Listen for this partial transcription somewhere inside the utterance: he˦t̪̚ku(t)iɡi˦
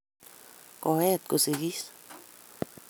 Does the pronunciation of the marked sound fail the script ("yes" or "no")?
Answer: yes